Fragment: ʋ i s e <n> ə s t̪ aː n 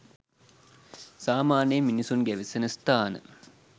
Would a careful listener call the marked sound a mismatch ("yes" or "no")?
no